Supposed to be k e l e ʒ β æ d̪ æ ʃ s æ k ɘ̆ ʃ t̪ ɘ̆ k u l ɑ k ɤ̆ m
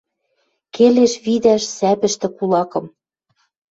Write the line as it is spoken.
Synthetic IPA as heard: k e l e ʃ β i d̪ æ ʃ s æ p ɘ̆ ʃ t̪ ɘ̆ k u l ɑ k ɤ̆ m